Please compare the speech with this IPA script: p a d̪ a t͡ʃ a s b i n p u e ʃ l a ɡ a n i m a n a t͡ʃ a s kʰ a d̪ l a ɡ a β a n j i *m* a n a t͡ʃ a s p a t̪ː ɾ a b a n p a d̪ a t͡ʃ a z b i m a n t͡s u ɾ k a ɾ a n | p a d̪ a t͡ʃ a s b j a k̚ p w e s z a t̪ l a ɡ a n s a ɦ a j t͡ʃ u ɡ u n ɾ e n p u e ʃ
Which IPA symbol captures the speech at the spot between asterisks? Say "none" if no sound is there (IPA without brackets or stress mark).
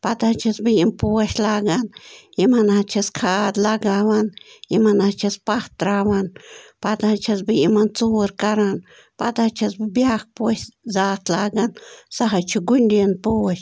m